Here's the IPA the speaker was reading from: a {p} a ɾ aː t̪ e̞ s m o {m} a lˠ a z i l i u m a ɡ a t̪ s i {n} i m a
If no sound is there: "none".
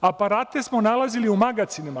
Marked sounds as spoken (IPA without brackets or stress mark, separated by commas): p, n, n